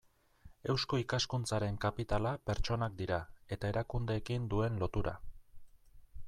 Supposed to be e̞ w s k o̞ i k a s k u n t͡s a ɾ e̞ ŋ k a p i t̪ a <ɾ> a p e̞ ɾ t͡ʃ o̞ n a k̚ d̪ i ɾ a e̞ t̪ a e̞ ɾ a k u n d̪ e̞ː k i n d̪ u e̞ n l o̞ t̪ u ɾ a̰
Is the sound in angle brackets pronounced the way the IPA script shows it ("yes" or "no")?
no